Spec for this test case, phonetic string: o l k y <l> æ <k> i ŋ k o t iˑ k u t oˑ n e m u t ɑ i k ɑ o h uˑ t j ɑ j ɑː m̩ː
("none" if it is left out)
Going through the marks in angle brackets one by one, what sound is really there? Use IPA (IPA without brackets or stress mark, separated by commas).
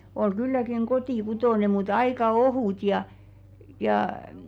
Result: lː, k